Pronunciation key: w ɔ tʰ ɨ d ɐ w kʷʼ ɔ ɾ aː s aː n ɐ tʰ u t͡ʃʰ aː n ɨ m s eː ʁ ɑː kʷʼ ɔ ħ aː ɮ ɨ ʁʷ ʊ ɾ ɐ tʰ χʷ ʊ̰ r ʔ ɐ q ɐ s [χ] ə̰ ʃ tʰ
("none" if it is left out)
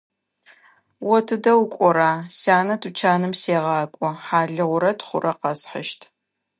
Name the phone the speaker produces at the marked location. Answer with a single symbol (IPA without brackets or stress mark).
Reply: ħ